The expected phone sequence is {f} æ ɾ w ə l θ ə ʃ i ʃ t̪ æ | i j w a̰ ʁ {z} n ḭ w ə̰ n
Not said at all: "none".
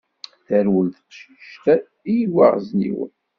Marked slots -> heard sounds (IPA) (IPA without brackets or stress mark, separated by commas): θ, z